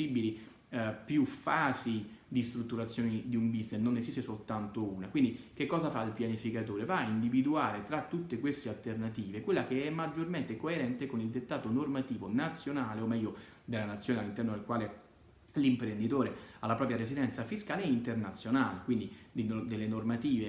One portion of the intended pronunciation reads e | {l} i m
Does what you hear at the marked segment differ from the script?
no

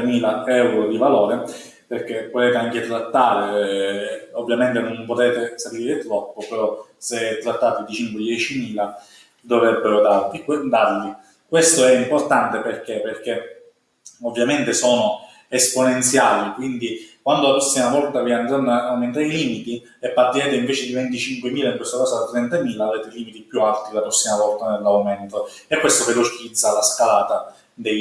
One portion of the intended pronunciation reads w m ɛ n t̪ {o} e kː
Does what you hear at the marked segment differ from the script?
no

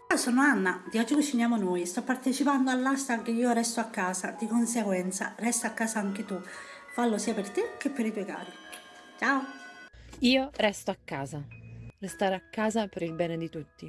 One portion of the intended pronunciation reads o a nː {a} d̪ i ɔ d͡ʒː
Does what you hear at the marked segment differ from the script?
no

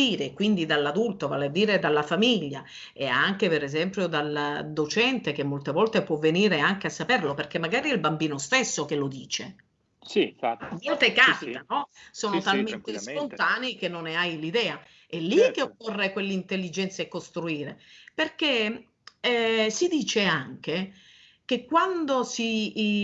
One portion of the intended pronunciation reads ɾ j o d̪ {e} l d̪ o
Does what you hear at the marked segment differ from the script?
yes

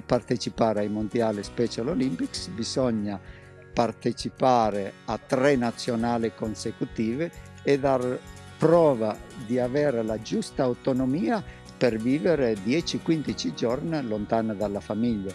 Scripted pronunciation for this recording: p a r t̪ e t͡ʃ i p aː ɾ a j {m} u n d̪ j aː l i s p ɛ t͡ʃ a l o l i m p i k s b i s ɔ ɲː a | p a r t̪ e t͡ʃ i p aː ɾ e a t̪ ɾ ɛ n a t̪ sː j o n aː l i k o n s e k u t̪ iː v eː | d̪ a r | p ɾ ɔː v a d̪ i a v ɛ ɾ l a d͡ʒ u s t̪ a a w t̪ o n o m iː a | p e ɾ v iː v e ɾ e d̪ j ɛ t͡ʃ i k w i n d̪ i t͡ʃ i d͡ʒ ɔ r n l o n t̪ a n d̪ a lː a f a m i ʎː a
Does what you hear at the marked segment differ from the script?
no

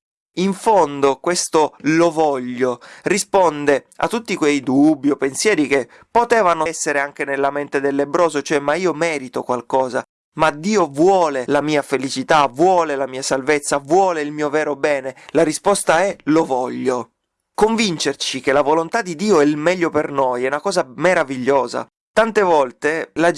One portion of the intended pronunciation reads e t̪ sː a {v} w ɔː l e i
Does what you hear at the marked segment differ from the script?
no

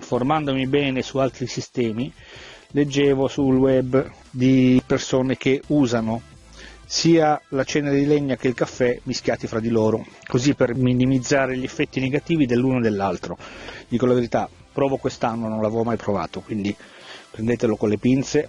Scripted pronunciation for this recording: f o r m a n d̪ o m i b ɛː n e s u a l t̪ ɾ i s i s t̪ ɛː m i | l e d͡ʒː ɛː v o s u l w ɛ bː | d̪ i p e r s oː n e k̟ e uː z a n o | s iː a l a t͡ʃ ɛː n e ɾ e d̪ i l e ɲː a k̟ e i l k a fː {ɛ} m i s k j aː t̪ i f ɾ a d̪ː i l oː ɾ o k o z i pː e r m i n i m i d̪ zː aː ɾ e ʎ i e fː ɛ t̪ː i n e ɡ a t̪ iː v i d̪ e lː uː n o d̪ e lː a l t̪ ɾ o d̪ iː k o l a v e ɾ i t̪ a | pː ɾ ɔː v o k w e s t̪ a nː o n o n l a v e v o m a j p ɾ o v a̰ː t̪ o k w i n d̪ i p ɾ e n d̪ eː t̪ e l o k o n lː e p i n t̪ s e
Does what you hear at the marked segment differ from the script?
no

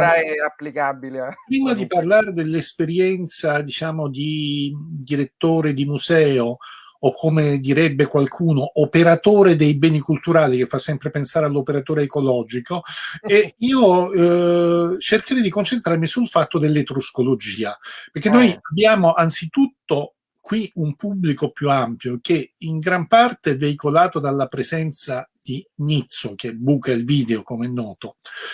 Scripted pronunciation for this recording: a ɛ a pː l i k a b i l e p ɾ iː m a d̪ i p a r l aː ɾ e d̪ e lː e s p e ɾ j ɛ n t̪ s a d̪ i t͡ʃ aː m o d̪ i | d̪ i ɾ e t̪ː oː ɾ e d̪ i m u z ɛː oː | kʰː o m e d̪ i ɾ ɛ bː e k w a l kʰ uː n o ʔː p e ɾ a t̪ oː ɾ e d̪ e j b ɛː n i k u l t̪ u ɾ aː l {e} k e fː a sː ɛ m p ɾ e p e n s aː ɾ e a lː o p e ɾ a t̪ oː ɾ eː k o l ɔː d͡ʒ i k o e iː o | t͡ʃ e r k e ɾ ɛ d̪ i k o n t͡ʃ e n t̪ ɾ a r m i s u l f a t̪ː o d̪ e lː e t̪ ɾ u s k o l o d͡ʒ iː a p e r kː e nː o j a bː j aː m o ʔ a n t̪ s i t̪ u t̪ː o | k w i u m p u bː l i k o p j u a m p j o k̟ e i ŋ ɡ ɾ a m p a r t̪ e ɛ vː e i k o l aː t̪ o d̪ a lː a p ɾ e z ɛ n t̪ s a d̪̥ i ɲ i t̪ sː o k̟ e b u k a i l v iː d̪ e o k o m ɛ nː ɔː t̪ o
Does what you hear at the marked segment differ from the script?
yes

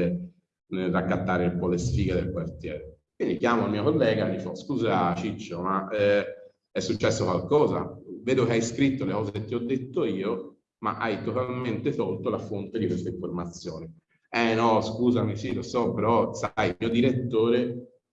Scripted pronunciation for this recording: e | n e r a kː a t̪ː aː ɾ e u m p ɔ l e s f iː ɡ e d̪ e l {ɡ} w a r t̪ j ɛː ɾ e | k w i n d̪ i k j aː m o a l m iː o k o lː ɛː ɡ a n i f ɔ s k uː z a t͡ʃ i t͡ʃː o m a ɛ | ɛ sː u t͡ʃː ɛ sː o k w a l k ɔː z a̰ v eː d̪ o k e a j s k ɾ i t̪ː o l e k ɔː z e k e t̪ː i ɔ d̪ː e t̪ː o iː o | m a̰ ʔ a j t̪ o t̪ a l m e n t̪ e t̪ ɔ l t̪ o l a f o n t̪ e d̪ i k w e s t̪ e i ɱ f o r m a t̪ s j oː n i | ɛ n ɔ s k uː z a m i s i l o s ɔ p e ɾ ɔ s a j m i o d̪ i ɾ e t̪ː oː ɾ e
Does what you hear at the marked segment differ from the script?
yes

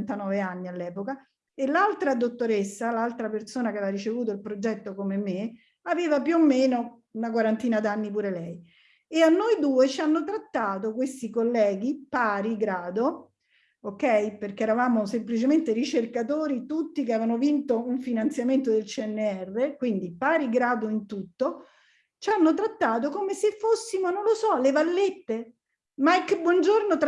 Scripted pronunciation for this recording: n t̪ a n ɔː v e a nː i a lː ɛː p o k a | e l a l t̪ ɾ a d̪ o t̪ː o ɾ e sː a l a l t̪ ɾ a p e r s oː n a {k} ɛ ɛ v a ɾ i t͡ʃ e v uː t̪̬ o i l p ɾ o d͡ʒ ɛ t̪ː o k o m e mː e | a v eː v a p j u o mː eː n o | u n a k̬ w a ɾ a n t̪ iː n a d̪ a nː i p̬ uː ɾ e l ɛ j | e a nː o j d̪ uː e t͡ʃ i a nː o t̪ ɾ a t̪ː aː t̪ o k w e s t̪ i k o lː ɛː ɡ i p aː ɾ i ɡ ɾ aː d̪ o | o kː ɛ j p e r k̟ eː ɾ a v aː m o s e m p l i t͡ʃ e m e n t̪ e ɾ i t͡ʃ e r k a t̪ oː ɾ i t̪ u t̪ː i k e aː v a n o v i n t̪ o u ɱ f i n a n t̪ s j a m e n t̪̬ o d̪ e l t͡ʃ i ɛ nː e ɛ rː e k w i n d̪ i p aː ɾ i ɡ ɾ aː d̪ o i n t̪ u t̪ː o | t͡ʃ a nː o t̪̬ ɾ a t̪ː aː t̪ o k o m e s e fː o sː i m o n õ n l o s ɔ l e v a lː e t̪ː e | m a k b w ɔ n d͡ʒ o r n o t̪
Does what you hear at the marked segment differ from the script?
no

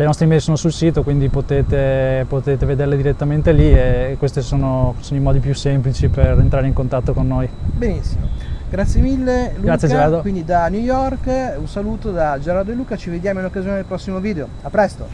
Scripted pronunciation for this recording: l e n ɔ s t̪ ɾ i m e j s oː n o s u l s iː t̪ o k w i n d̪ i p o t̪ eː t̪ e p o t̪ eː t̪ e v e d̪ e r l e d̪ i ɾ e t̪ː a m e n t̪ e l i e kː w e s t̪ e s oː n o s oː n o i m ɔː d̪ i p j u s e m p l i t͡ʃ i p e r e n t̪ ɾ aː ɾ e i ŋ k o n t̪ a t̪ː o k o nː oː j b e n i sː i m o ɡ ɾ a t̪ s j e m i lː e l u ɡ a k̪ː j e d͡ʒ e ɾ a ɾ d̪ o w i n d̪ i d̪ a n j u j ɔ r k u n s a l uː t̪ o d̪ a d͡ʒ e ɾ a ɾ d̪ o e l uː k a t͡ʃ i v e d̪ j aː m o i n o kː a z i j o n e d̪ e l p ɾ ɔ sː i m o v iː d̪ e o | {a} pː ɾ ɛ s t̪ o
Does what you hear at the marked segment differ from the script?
no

